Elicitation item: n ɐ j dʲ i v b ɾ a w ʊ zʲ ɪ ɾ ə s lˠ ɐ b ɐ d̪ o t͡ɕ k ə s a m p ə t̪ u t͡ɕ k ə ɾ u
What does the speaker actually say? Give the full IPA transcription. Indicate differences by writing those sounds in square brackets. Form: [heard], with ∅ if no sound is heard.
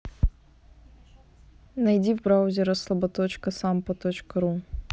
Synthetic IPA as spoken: n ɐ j dʲ i v b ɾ a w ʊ zʲ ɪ ɾ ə s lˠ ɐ b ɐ [t̪] o t͡ɕ k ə s a m p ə t̪ [o] t͡ɕ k ə ɾ u